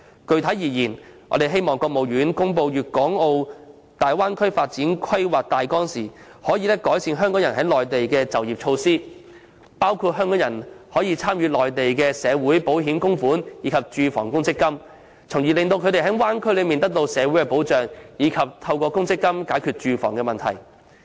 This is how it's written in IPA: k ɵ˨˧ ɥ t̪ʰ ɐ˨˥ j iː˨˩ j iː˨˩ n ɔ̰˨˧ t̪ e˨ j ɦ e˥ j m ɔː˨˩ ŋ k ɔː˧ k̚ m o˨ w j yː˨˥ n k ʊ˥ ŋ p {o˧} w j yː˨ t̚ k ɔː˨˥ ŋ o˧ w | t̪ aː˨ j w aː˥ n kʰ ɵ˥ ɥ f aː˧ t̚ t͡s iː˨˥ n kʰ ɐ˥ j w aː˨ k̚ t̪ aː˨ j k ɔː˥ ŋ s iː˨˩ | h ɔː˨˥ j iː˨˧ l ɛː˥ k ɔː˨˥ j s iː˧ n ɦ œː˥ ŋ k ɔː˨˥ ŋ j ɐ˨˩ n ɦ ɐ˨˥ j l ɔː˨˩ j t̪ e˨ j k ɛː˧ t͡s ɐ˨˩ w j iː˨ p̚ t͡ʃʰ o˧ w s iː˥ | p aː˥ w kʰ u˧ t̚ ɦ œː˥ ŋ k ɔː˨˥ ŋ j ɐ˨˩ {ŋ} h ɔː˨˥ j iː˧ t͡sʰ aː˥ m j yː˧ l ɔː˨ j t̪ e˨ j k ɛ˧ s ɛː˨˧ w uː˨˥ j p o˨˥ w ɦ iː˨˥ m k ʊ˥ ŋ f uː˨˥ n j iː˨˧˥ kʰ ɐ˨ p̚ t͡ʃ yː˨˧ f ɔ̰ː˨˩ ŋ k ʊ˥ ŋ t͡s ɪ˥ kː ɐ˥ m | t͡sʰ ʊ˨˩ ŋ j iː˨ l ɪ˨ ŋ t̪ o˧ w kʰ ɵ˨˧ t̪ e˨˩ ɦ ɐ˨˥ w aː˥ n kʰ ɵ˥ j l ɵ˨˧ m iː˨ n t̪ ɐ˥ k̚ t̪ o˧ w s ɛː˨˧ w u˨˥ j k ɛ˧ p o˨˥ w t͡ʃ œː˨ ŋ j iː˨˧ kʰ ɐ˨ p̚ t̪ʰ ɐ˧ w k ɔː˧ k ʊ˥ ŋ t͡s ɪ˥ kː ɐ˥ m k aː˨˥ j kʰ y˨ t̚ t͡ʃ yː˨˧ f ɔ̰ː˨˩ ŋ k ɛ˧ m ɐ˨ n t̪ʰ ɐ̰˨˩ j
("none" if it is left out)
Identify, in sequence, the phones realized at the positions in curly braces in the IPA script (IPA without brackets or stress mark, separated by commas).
o˧, n